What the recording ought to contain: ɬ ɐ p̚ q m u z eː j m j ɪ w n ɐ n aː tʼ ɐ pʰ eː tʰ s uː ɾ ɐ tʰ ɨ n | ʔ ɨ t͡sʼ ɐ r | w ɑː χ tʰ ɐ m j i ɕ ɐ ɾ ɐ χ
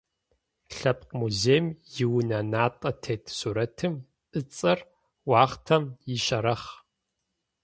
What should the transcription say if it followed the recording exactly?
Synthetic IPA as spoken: ɬ ɐ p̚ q m u z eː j m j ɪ w n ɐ n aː tʼ ɐ tʰ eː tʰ s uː ɾ ɐ tʰ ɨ m | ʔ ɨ t͡sʼ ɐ r | w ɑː χ tʰ ɐ m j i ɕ ɐ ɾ ɐ χ